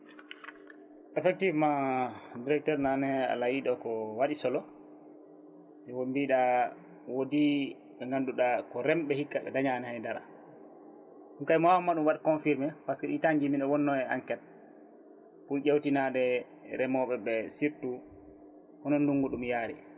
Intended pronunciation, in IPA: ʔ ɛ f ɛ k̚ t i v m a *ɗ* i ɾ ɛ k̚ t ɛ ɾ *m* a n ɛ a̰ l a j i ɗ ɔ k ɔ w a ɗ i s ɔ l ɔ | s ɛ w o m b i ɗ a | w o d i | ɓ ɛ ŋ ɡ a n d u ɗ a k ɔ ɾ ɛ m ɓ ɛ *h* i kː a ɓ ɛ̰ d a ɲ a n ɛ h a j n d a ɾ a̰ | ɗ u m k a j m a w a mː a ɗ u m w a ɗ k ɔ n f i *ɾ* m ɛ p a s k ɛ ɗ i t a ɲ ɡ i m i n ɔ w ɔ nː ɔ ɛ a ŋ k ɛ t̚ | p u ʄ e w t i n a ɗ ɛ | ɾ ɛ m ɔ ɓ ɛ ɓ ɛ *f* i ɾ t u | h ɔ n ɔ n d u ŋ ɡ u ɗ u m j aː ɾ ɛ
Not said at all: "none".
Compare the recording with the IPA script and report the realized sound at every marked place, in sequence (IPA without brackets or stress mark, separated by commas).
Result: d, n, h, ɾ, s